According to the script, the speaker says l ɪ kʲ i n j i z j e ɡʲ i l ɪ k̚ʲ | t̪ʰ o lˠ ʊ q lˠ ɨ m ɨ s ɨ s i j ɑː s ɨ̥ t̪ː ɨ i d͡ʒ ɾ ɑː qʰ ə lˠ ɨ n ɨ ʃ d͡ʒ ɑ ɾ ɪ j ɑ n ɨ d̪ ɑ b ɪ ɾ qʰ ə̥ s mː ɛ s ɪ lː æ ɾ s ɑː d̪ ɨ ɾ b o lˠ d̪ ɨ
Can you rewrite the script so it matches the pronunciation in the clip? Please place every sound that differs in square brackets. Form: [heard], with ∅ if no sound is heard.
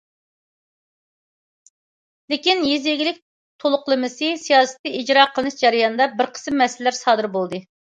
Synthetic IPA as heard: l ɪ kʲ i n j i z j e ɡʲ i l ɪ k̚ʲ | t̪ʰ o lˠ ʊ q lˠ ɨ m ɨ s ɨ s i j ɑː s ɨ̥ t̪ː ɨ i d͡ʒ ɾ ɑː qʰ ə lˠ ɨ n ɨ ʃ d͡ʒ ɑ ɾ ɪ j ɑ n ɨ d̪ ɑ b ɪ ɾ qʰ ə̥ s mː ɛ s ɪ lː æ ɾ s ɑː d̪ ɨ ɾ b o lˠ d̪ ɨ